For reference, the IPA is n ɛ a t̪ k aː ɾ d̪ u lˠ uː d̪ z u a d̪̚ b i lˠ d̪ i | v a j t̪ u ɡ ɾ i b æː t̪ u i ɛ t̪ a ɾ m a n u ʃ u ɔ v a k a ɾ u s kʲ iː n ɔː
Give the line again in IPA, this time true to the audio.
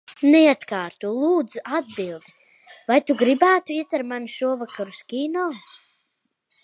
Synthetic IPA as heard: n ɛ a t̪ k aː ɾ t̪ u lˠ uː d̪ z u a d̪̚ b i lˠ d̪ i | v a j t̪ u ɡ ɾ i b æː t̪ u i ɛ t̪ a ɾ m a n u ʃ u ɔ v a k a ɾ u s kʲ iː n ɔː